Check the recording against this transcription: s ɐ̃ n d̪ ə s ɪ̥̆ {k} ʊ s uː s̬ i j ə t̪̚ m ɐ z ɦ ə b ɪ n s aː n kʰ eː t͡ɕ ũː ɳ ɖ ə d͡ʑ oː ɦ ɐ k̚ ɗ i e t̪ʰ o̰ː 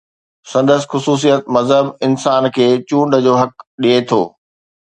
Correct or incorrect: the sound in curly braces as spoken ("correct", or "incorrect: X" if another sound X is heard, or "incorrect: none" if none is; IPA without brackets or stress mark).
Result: incorrect: x